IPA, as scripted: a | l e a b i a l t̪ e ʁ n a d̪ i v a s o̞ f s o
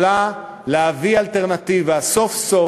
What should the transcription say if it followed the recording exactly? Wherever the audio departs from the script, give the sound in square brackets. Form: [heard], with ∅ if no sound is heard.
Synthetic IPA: a | l e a [v] i a l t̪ e ʁ n a [t̪] i v a s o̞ f s o